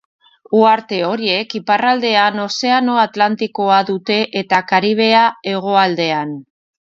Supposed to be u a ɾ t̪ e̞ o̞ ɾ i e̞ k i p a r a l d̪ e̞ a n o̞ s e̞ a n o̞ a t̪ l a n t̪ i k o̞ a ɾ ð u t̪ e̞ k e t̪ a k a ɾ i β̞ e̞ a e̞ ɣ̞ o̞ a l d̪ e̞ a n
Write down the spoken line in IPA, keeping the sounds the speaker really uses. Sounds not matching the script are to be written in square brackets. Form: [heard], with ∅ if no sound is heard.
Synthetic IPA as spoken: u a ɾ t̪ e̞ o̞ ɾ i e̞ k i p a r a l d̪ e̞ a n o̞ s e̞ a n o̞ a t̪ l a n t̪ i k o̞ a [∅] ð u t̪ e̞ [ʔ] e t̪ a k a ɾ i β̞ e̞ a e̞ ɣ̞ o̞ a l d̪ e̞ a n